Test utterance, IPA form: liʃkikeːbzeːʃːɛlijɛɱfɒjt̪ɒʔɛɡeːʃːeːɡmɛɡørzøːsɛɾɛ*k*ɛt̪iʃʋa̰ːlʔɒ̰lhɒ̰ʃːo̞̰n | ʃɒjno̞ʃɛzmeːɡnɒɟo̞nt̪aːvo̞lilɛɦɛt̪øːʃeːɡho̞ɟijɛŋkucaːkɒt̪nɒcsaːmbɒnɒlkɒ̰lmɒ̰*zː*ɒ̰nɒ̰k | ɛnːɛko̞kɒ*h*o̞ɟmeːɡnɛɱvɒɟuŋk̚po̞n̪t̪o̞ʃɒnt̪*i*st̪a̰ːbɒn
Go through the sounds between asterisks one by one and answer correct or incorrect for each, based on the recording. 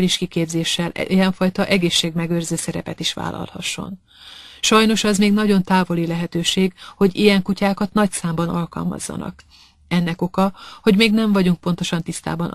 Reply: incorrect, correct, correct, correct

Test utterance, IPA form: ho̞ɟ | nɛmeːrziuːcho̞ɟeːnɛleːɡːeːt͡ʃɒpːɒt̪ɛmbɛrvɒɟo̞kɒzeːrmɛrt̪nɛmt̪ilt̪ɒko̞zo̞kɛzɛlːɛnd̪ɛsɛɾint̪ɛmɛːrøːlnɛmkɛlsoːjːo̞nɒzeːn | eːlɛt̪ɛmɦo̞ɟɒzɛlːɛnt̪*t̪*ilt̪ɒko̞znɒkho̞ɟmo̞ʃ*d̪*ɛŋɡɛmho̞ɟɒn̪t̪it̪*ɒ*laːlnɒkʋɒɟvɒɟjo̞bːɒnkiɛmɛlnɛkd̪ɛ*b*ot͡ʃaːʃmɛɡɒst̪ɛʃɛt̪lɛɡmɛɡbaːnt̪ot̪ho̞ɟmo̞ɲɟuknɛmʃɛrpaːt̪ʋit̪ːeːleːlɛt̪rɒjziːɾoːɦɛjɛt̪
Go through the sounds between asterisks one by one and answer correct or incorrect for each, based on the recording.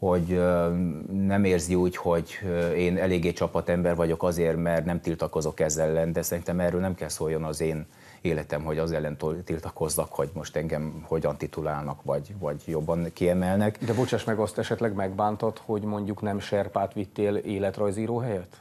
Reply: correct, incorrect, incorrect, correct

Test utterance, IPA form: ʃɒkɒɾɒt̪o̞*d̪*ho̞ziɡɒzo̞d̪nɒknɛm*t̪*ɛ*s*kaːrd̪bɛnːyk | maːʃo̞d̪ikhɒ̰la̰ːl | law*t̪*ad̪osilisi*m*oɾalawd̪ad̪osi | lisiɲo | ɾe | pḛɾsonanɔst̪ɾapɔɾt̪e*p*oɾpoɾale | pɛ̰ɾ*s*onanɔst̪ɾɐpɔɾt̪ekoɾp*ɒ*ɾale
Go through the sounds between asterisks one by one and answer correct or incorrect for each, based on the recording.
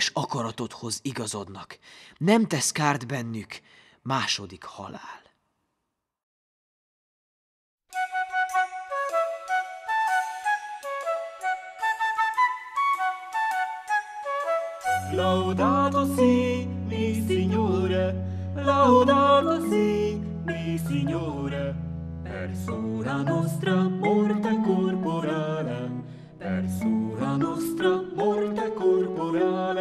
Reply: incorrect, correct, correct, incorrect, incorrect, incorrect, correct, incorrect

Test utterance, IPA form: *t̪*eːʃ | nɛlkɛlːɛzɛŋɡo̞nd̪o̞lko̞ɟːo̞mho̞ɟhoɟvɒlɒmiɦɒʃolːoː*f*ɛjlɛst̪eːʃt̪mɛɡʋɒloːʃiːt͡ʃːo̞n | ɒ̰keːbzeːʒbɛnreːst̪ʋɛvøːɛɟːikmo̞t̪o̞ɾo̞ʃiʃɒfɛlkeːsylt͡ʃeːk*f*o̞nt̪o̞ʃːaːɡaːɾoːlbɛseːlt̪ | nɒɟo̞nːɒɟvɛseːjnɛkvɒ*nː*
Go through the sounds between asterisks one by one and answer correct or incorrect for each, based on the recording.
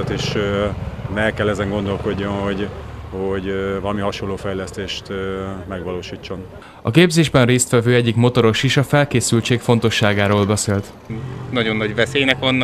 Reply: correct, correct, correct, correct

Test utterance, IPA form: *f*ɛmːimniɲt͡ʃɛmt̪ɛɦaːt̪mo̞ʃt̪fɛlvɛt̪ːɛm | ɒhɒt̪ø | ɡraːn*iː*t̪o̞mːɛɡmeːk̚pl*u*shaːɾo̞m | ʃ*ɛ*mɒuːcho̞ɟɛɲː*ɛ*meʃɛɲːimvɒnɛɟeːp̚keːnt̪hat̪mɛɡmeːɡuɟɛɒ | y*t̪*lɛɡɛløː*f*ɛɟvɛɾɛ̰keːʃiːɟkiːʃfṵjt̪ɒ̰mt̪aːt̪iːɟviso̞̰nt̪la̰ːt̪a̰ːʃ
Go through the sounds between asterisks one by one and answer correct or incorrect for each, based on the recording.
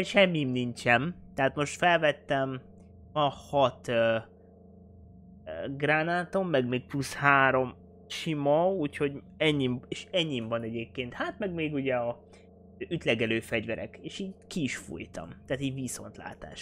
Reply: incorrect, incorrect, correct, incorrect, incorrect, correct, correct

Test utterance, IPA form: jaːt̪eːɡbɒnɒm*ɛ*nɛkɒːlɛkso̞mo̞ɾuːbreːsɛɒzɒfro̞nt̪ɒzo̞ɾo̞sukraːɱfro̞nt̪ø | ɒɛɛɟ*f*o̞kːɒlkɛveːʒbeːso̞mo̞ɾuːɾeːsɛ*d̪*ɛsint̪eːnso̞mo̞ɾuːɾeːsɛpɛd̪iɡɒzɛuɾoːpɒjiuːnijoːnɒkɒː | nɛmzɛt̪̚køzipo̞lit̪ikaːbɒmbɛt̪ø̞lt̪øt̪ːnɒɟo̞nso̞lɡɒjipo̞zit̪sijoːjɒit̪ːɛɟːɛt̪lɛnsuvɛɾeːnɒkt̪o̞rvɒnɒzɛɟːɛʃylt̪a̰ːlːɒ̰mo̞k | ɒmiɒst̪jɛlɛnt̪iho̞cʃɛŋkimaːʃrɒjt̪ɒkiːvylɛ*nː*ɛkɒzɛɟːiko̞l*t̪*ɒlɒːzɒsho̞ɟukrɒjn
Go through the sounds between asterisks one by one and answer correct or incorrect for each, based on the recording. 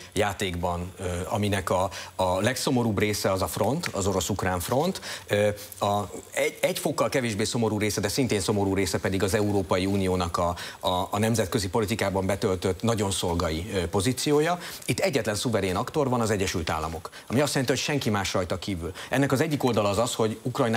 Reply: incorrect, correct, correct, correct, incorrect

